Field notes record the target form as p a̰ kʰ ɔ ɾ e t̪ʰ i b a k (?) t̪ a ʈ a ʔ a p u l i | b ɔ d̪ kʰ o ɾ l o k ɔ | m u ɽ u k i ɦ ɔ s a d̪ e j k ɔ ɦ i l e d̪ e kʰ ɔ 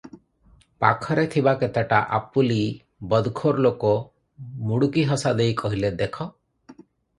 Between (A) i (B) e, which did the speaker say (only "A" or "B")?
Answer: B